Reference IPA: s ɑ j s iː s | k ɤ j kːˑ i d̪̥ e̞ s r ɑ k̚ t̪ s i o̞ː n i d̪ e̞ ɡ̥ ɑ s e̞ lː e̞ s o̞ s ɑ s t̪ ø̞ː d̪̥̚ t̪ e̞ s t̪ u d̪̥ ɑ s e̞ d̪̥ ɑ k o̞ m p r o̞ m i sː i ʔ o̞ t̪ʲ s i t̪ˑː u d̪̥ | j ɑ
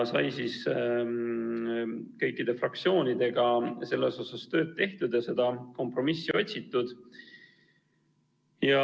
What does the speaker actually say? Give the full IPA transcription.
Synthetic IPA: s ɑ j s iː s | k ɤ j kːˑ i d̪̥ e̞ f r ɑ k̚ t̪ s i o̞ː n i d̪ e̞ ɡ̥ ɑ s e̞ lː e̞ s o̞ s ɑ s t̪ ø̞ː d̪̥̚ t̪ e̞ h t̪ u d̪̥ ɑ s e̞ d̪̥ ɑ k o̞ m p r o̞ m i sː i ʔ o̞ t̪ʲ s i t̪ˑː u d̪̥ | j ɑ